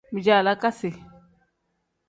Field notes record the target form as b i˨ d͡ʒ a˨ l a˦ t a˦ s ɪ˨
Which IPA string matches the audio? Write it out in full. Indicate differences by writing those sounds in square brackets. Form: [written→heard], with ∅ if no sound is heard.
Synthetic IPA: [b→m] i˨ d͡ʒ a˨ l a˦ [t→k] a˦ s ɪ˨